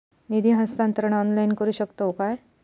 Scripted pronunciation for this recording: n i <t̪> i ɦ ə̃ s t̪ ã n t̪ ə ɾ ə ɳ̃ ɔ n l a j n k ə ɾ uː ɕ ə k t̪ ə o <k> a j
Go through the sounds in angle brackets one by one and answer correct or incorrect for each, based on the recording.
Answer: incorrect, correct

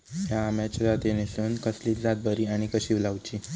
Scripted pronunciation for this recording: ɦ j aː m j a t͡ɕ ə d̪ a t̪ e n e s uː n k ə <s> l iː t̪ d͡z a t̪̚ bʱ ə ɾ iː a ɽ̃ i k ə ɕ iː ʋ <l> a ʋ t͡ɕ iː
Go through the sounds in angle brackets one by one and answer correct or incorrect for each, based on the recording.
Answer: correct, correct

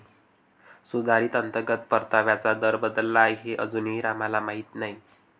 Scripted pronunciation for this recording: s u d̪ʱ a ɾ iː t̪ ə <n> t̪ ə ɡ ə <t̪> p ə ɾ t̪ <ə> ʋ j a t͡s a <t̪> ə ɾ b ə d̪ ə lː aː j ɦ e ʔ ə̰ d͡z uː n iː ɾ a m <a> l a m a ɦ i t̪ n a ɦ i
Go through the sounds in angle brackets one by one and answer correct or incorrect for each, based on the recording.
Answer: correct, correct, incorrect, incorrect, correct

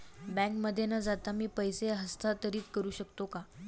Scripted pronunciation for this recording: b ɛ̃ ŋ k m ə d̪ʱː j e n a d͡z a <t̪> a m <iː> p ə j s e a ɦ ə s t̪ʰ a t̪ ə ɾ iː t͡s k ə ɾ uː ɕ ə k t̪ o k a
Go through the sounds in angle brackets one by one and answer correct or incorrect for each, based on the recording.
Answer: correct, correct

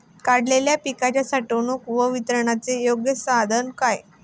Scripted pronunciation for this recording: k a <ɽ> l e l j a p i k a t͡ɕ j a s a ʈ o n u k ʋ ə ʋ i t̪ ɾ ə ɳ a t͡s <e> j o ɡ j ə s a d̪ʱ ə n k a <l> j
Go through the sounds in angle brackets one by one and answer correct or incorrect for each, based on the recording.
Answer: correct, correct, incorrect

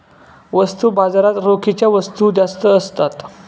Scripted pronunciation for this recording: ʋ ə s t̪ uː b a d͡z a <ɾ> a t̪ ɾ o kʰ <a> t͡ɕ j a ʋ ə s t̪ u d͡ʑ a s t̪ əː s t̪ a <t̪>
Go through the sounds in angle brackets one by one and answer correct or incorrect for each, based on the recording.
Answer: correct, incorrect, correct

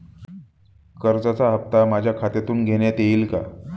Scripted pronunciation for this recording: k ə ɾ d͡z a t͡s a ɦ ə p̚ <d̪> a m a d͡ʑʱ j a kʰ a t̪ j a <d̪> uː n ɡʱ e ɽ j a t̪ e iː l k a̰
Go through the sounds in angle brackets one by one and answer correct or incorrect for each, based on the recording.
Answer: incorrect, incorrect

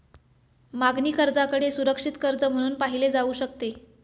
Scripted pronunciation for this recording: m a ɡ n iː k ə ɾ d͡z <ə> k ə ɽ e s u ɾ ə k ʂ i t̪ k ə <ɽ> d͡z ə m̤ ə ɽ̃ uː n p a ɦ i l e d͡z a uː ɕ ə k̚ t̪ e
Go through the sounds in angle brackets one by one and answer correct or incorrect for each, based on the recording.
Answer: incorrect, incorrect

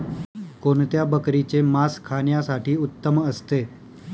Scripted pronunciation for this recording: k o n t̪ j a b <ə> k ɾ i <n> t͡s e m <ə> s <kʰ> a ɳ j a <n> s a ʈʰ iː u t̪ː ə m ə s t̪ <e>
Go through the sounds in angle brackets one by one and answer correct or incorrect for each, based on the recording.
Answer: correct, incorrect, incorrect, correct, incorrect, correct

